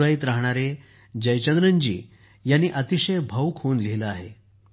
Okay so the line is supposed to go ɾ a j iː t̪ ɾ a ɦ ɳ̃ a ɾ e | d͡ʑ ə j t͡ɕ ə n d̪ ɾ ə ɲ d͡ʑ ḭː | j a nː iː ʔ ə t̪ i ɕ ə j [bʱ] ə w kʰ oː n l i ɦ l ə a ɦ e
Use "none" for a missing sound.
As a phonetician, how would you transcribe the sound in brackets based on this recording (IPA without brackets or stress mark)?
bʱ